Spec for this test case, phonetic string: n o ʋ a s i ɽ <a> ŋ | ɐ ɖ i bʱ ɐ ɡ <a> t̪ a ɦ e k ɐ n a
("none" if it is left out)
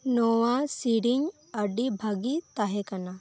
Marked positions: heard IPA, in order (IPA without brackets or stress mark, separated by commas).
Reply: i, i